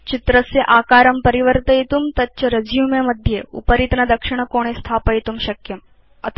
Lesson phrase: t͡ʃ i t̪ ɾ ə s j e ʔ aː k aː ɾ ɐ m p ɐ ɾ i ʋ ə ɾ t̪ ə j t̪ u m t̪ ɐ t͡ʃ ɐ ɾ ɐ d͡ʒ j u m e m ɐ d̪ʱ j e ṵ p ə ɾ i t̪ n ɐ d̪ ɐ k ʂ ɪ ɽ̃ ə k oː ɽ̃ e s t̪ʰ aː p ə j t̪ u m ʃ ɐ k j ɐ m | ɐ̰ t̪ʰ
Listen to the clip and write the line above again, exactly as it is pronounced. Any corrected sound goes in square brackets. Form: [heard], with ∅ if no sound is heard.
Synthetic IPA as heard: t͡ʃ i t̪ ɾ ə s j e ʔ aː k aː ɾ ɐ m p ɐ ɾ i ʋ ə ɾ t̪ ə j t̪ u m t̪ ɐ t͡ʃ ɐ ɾ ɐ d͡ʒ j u m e m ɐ d̪ʱ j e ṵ p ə ɾ i t̪ n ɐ d̪ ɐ k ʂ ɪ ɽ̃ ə k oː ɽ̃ e s t̪ʰ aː p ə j t̪ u m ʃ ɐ k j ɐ m | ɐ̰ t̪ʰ